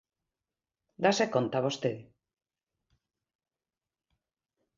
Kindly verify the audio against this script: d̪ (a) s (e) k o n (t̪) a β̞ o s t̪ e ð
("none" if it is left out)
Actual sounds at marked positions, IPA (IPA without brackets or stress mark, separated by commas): a, e, t̪